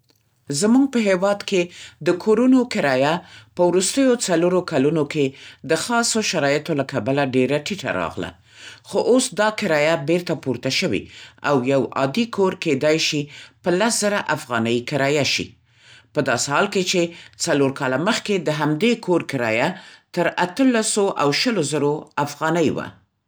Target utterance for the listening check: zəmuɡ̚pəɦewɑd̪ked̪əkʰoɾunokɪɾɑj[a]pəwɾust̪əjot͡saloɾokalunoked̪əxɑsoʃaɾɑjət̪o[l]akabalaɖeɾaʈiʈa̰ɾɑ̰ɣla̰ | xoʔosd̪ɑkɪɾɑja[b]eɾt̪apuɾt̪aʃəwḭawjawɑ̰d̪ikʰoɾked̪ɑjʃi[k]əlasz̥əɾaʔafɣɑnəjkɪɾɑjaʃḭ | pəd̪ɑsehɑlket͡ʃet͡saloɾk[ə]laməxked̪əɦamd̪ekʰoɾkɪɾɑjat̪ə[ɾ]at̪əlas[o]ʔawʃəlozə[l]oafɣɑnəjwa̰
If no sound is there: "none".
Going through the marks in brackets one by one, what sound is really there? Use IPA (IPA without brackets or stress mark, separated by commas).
a, l, b, p, ɑ, ɾ, o, ɾ